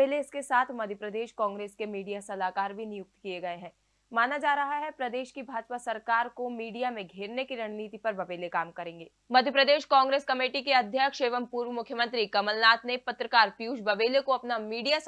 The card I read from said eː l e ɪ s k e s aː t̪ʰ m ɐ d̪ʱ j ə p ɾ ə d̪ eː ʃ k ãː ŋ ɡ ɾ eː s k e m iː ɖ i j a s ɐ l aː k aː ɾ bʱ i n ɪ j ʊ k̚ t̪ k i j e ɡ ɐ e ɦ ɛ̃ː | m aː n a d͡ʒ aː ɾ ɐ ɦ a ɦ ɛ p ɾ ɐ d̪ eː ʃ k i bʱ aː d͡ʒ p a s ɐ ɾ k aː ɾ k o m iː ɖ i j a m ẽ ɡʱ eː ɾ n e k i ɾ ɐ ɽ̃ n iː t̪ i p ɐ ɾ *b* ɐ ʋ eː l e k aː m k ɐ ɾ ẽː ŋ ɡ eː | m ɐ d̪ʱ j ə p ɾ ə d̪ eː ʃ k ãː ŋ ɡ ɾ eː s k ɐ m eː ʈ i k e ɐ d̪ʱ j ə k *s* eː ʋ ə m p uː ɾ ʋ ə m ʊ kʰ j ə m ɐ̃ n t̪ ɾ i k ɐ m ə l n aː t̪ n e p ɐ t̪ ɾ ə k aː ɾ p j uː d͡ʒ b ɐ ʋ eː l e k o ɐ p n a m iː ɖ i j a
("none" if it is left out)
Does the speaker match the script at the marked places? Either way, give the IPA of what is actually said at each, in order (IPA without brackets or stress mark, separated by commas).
b, ʃ